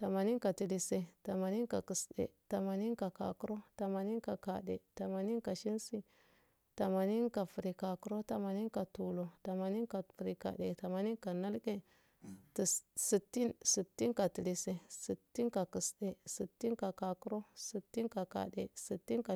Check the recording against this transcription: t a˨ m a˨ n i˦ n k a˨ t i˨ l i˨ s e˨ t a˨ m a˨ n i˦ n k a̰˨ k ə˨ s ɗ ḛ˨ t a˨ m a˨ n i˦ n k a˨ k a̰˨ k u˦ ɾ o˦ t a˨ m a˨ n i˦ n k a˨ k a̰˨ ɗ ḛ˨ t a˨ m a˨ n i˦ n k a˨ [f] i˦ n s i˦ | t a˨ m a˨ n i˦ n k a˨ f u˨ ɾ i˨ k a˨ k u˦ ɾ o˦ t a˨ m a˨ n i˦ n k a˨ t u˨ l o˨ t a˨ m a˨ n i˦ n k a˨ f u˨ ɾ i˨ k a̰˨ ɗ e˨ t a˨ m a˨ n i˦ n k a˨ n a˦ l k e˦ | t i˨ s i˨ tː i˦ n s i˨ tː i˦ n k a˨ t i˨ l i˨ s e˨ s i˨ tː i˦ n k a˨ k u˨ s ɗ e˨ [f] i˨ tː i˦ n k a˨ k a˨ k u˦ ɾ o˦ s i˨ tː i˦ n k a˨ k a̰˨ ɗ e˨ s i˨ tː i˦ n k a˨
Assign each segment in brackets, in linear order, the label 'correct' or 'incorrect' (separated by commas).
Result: incorrect, incorrect